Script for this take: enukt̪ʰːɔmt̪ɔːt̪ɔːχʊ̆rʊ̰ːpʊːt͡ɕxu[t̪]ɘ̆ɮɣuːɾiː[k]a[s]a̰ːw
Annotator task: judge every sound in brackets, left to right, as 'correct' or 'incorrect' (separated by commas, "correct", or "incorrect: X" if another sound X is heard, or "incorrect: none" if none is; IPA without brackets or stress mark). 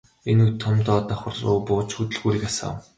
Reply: correct, correct, correct